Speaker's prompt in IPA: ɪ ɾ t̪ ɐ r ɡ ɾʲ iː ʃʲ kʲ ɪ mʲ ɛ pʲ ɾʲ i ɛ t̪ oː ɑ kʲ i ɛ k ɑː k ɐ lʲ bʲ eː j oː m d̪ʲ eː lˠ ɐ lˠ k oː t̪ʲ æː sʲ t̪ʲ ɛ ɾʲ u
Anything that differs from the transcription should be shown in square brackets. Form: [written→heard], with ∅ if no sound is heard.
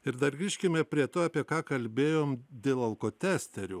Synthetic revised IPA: ɪ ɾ [t̪→d̪] ɐ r ɡ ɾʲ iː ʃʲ kʲ ɪ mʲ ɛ pʲ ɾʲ i ɛ t̪ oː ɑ [kʲ→pʲ] i ɛ k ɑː k ɐ lʲ bʲ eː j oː m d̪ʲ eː lˠ ɐ lˠ k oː t̪ʲ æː sʲ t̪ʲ ɛ ɾʲ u